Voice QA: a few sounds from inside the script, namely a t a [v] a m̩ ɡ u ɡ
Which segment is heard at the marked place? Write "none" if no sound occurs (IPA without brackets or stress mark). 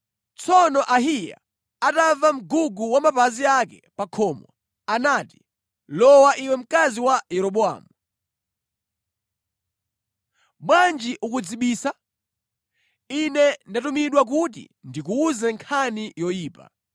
v